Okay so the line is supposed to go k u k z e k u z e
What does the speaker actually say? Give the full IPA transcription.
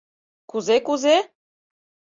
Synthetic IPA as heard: k u z e k u z e